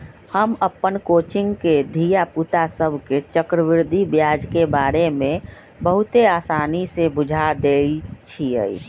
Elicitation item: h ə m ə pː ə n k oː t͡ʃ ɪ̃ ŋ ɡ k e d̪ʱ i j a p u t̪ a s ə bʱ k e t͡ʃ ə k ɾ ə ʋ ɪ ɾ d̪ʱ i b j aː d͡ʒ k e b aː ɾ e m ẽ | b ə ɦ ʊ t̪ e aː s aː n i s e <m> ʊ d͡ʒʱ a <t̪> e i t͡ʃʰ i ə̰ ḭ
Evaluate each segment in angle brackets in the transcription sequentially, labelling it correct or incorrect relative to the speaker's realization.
incorrect: b, incorrect: d̪

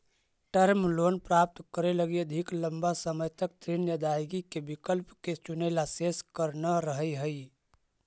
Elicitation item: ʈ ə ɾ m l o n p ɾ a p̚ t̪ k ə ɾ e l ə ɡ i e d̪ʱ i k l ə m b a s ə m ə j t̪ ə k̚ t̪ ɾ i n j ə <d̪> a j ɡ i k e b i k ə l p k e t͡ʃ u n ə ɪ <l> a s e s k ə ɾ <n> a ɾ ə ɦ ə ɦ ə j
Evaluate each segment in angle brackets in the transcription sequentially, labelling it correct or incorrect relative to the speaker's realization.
correct, correct, correct

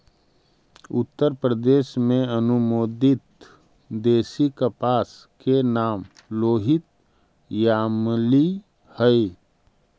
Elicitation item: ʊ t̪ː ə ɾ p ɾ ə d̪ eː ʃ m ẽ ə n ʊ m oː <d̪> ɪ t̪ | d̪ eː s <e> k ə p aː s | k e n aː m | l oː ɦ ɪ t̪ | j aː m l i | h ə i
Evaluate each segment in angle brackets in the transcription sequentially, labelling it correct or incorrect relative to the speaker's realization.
correct, incorrect: i

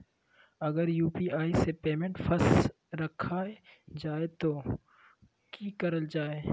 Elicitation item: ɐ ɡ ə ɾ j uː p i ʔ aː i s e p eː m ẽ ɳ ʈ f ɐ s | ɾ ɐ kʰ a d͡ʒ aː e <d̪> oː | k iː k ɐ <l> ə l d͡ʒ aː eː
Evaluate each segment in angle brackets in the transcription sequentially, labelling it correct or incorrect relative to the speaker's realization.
incorrect: t̪, incorrect: ɾ

